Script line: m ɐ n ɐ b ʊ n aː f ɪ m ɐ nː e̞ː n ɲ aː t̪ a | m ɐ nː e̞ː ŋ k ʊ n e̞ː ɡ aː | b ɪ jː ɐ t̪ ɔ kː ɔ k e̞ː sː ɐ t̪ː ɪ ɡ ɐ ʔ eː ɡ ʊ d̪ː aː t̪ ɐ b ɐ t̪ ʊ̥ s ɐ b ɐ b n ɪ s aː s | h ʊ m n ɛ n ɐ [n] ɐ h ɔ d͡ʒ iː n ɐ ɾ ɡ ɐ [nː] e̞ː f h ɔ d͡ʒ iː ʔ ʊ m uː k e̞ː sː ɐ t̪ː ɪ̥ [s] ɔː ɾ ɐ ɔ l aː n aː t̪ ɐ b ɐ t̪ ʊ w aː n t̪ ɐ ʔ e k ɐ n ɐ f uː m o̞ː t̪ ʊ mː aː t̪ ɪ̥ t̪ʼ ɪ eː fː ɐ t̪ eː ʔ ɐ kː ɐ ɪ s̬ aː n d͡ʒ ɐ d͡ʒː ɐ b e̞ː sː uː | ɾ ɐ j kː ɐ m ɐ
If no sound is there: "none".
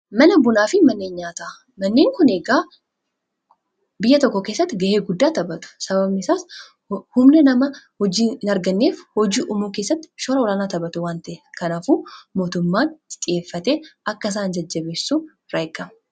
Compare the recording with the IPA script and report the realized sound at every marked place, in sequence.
m, nː, ʃ

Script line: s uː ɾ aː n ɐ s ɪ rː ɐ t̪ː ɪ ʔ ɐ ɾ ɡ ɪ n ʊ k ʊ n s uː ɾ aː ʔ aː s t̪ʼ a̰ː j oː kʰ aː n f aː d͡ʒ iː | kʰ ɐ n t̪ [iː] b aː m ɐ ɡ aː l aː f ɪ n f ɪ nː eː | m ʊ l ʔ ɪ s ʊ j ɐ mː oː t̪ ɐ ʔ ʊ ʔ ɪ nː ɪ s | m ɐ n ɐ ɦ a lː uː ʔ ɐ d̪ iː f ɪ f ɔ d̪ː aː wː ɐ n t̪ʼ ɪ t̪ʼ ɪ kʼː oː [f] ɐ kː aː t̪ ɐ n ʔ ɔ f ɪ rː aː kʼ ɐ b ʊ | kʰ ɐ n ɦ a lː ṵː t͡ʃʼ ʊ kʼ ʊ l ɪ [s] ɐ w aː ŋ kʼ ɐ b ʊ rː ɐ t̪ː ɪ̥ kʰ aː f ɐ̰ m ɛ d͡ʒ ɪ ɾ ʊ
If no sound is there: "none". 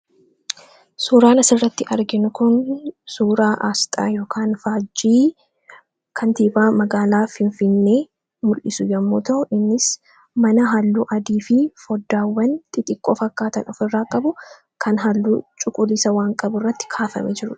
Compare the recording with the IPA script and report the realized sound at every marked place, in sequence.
iː, f, s

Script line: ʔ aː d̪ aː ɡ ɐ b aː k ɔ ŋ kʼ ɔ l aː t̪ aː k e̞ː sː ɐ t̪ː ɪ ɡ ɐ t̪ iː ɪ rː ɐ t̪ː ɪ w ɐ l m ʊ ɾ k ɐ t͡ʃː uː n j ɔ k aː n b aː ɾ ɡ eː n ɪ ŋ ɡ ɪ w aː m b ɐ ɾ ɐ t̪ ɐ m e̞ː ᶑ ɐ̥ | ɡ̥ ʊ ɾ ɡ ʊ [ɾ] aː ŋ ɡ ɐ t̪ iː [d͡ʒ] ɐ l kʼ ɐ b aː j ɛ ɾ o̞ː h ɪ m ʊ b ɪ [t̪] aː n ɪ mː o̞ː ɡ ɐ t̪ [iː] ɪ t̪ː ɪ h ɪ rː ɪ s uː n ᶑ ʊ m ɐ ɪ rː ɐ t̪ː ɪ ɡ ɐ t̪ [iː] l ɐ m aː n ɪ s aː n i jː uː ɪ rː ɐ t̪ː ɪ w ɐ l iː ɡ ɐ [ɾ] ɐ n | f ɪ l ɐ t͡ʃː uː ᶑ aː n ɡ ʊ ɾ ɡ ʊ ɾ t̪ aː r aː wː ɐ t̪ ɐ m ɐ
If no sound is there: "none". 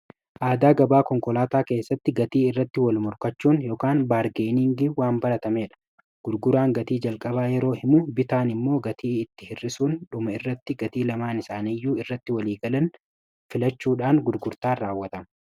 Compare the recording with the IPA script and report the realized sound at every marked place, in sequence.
ɾ, d͡ʒ, t̪, iː, iː, l

